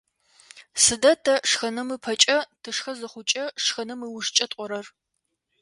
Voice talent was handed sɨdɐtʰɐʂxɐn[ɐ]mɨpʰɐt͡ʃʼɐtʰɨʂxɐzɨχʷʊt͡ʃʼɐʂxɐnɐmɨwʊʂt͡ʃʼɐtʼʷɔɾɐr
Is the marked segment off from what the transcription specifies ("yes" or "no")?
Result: no